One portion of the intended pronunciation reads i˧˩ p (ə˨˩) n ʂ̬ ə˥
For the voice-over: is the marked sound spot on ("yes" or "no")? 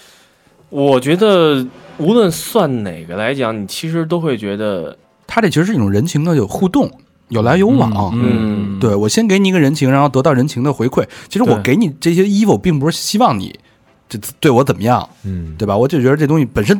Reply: yes